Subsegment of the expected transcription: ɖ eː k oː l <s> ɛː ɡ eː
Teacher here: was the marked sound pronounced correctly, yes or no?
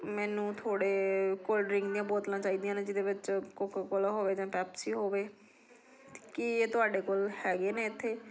no